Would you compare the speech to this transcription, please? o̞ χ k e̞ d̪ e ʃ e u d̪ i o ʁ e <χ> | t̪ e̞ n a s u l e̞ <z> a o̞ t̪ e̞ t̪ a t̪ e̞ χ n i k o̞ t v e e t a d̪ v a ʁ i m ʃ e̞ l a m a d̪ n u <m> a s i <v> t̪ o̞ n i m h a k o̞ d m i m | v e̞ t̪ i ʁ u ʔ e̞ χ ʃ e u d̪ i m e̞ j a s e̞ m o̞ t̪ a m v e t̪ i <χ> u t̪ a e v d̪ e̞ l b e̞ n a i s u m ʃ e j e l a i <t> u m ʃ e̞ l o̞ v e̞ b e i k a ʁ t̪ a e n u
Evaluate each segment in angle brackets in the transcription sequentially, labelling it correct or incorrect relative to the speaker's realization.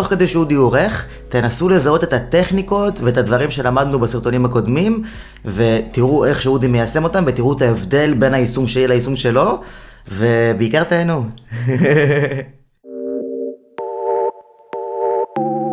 correct, correct, incorrect: b, incorrect: ʁ, incorrect: ʁ, incorrect: s

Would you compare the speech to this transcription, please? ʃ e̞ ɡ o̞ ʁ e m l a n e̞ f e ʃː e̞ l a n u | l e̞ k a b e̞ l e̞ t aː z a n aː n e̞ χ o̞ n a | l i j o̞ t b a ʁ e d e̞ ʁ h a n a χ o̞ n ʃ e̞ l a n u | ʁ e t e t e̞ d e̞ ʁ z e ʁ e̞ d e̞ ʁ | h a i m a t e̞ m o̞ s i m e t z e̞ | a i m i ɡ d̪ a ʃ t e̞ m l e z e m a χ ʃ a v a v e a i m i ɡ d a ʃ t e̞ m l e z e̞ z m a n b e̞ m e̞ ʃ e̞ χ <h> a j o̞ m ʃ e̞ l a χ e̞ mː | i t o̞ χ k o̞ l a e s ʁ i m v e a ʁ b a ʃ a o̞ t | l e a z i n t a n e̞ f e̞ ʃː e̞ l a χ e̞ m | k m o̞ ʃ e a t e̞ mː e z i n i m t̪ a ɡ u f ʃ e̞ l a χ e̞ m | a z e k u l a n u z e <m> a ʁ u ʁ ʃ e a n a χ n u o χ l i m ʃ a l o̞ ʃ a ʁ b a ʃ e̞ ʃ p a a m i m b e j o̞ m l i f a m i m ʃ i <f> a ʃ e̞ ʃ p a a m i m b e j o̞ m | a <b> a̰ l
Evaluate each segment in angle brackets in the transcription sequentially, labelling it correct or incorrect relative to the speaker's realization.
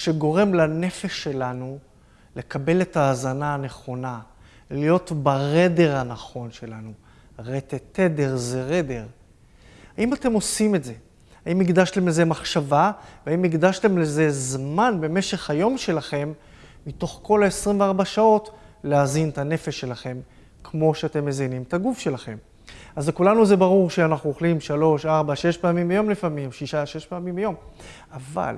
correct, incorrect: b, incorrect: ʃ, incorrect: v

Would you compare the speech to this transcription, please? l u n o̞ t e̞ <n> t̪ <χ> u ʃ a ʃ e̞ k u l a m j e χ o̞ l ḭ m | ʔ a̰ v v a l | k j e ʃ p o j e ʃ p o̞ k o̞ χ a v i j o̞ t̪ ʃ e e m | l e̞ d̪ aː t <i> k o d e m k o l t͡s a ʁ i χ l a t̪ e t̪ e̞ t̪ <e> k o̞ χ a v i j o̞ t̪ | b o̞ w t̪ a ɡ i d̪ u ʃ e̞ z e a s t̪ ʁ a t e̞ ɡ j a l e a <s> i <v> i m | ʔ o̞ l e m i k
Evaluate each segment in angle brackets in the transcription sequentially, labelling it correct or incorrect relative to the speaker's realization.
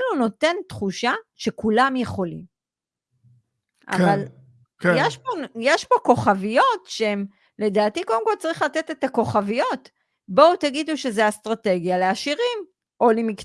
correct, correct, correct, incorrect: a, incorrect: ʃ, incorrect: ʁ

